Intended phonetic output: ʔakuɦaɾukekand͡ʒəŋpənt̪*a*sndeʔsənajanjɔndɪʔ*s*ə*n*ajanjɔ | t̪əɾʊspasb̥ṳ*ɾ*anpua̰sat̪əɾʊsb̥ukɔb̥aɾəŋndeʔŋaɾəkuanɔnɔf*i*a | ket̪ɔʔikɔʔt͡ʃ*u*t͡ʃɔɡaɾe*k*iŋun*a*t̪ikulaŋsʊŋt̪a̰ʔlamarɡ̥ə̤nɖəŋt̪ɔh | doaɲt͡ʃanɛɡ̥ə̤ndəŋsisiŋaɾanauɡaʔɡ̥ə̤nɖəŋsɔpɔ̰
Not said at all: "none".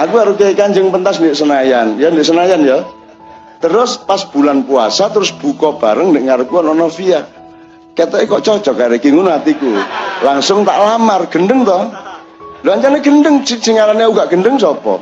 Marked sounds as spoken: a, s, n, l, i, ɔ, k, a

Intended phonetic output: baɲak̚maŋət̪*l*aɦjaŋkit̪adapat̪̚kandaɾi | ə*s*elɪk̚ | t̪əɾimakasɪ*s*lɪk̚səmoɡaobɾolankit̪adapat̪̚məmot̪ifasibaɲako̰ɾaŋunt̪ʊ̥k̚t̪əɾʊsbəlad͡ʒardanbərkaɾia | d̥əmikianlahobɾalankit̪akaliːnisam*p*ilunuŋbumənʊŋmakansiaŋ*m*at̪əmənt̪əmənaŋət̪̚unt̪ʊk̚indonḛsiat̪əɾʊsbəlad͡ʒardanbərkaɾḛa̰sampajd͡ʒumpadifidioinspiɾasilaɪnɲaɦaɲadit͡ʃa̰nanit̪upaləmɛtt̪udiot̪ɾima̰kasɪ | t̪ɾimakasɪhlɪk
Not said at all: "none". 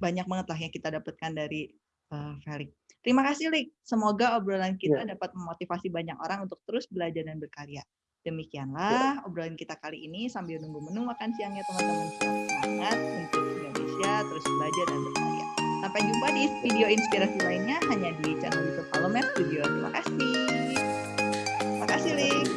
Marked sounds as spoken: l, f, h, b, ɲ

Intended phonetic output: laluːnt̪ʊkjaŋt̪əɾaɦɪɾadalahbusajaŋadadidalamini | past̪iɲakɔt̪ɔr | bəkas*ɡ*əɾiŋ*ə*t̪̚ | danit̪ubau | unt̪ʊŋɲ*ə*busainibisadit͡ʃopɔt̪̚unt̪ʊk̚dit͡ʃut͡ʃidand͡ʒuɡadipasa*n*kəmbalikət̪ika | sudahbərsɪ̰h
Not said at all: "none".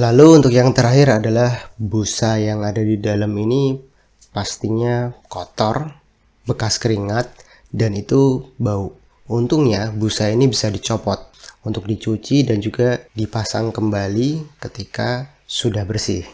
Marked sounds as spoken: k, a, a, ŋ

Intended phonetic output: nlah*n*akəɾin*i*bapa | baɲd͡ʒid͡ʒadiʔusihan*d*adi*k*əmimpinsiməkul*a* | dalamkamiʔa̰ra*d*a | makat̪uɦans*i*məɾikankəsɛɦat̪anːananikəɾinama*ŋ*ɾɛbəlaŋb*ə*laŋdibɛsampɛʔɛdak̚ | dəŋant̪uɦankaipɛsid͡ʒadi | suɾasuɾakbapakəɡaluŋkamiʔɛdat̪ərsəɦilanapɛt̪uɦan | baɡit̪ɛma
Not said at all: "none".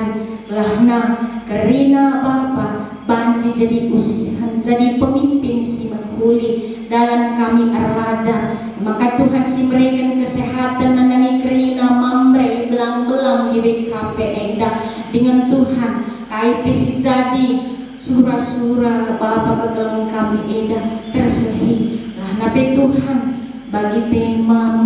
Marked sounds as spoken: n, a, d͡ʒ, p, i, d͡ʒ, i, m, ə

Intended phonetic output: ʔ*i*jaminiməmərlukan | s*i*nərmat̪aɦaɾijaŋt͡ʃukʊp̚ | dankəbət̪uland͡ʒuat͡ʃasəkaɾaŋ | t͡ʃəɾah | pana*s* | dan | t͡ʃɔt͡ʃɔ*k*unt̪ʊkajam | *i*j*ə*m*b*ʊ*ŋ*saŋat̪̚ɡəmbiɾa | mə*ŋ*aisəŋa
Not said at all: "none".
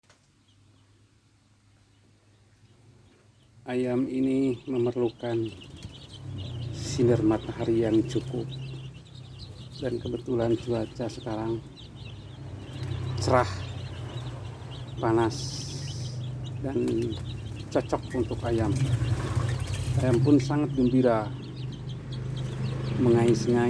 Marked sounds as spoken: a, i, s, k, a, a, p, n, ŋ

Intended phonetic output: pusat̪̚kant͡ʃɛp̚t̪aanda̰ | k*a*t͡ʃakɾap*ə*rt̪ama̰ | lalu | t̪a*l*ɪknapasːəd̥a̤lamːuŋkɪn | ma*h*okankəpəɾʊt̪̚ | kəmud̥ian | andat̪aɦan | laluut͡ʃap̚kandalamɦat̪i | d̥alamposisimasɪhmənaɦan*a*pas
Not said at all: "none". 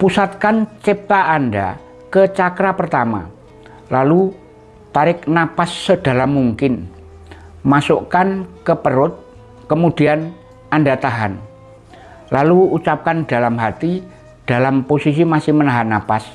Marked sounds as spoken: ə, ə, ɾ, s, a

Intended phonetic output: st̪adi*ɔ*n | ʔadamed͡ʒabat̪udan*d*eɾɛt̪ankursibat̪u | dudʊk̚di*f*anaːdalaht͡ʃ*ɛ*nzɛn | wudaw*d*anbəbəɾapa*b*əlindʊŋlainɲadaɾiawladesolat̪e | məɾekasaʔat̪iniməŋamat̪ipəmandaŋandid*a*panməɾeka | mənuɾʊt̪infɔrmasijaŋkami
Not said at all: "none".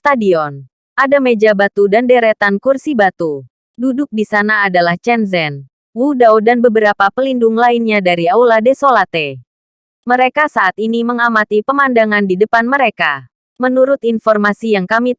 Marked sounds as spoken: ɔ, d, s, ɛ, d, p, ə

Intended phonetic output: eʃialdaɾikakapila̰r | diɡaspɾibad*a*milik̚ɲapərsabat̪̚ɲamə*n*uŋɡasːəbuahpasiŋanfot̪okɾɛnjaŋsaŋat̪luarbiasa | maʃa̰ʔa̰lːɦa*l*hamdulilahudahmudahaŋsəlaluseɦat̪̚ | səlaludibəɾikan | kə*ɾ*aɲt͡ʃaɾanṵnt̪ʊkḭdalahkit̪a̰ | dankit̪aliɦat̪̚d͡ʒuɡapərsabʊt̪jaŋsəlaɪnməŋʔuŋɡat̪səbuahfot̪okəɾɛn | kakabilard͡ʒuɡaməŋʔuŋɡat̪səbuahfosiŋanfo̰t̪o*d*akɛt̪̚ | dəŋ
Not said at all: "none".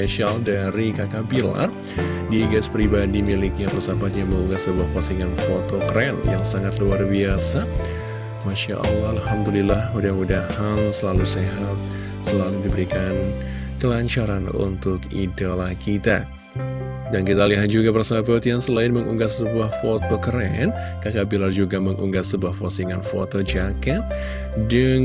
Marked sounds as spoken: i, ŋ, l, l, d͡ʒ

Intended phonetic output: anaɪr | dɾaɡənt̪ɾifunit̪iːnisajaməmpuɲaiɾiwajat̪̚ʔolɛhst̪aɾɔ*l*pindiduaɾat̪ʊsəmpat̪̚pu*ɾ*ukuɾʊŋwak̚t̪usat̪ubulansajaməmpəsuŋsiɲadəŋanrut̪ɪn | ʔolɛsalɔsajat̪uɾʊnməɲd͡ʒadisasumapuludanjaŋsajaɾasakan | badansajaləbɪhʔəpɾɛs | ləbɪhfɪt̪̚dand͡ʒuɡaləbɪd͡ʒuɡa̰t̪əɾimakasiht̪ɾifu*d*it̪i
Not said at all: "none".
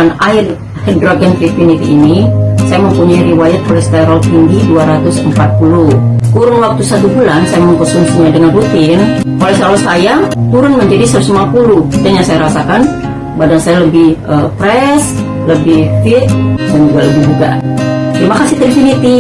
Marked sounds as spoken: l, l, n

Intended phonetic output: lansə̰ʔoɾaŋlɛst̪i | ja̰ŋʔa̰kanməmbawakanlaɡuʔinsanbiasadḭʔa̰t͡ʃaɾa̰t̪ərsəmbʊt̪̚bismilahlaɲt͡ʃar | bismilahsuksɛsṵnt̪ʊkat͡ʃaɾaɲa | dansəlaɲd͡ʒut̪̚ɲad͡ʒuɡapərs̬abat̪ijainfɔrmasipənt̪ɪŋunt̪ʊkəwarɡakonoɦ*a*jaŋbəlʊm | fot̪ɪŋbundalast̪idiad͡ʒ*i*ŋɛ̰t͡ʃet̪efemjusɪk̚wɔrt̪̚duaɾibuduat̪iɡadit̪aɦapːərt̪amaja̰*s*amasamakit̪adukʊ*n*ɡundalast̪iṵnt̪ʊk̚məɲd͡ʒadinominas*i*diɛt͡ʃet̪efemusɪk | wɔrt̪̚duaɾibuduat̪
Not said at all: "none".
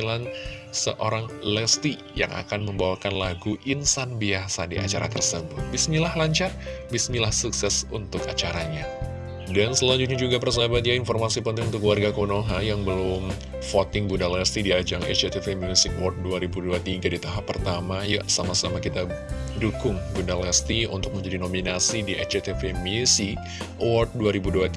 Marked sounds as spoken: a, a, s, ŋ, i

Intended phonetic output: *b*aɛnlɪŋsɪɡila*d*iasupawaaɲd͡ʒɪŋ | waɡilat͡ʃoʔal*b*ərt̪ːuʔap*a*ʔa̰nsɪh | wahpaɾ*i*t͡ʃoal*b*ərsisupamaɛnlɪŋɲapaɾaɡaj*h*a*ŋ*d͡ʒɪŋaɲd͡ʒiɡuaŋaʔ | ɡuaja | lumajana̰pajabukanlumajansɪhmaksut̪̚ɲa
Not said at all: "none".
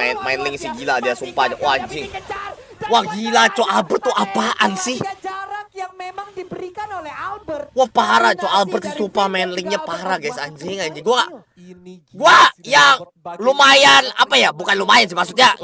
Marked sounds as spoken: m, d, b, a, a, b, s, ɲ

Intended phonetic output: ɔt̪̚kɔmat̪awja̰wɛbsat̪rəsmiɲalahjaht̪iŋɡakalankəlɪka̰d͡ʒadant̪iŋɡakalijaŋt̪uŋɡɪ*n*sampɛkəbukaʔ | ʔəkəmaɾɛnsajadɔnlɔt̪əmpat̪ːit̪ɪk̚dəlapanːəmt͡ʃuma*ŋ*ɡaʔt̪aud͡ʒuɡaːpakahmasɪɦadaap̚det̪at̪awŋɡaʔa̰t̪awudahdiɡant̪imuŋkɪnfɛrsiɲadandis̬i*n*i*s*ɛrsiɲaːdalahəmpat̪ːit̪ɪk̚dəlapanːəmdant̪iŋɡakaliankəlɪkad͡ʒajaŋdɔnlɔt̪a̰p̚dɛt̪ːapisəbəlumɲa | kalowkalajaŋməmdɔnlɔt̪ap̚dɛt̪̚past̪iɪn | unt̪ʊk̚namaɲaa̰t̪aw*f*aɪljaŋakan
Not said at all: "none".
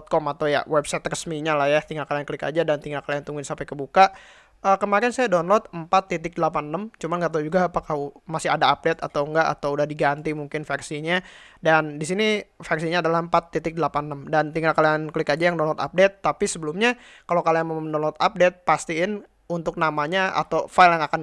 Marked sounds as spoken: n, n, n, f, f

